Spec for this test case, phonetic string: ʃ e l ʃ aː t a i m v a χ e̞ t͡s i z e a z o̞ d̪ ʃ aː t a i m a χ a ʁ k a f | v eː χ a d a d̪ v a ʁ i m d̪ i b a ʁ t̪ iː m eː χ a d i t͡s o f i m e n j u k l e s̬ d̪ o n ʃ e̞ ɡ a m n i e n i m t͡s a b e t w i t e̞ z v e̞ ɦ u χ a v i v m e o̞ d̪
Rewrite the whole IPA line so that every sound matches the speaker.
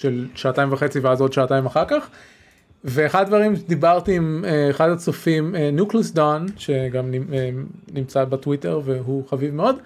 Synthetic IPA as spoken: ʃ e l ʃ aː t a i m v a χ e̞ t͡s i v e a z o̞ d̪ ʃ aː t a i m a χ a ʁ k a χ | v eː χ a d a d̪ v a ʁ i m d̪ i b a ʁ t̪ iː m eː χ a d a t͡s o f i m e n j u k l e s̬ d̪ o n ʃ e̞ ɡ a m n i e n i m t͡s a b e t w i t e̞ ʁ v e̞ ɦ u χ a v i v m e o̞ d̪